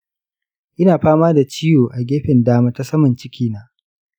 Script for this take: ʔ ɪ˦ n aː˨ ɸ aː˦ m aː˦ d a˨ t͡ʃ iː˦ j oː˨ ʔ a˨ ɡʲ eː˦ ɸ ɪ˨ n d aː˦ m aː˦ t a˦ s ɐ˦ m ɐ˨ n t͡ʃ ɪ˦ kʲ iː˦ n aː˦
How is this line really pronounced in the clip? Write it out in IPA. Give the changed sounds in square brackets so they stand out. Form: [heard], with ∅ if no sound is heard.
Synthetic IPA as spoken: ʔ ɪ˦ n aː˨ ɸ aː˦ m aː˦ d a˨ t͡ʃ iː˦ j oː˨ ʔ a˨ ɡʲ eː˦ ɸ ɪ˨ n d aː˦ m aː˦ t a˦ s ɐ˦ m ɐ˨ n t͡ʃ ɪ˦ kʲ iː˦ n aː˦